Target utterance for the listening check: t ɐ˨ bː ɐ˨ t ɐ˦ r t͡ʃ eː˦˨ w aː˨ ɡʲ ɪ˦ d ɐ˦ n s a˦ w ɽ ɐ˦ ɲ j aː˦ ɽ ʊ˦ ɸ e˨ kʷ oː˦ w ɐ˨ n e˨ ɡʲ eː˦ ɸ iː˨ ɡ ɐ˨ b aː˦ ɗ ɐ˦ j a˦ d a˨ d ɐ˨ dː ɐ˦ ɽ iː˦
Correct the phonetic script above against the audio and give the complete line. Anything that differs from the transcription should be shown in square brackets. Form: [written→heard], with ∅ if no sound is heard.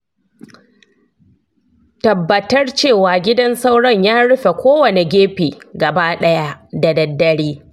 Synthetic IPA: t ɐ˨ bː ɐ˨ t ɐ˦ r t͡ʃ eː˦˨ w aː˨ ɡʲ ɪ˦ d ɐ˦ n s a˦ w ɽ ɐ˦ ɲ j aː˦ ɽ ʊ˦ ɸ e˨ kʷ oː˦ w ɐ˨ n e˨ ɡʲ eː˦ ɸ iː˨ ɡ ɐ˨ b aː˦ ɗ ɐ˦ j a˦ d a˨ d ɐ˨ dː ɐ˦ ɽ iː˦